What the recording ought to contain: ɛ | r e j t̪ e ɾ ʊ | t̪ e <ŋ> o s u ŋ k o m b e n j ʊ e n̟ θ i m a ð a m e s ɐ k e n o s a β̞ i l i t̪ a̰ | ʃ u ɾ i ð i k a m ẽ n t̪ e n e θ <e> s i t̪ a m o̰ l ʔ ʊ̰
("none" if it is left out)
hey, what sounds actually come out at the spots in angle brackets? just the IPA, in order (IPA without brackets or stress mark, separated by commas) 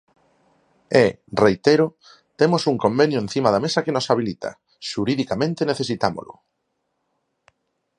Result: m, e